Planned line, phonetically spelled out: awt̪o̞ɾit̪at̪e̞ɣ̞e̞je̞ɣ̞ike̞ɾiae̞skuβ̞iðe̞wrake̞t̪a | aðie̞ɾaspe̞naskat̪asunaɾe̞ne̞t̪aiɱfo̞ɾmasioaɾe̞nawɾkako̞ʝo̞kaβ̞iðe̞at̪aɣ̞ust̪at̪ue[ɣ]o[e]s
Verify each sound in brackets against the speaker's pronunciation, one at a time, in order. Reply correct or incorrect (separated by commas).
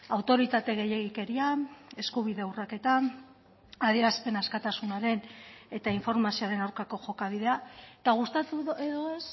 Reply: incorrect, correct